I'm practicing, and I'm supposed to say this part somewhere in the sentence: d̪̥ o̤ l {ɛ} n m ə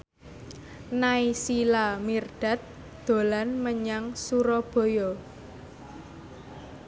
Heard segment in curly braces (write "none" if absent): a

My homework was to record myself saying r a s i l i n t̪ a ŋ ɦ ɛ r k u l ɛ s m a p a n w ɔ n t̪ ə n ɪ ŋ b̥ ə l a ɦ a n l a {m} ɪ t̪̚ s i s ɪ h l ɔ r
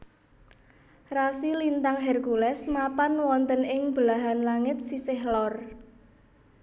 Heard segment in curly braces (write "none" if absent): ŋ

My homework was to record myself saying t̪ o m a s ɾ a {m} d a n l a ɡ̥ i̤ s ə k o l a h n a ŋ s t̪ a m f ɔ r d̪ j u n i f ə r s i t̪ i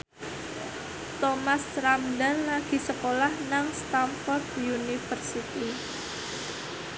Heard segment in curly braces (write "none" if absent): m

